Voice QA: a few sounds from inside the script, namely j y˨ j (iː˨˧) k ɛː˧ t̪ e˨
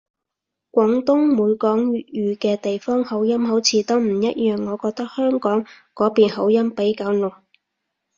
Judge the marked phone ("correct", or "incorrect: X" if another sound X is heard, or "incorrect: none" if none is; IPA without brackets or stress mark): incorrect: yː˨˧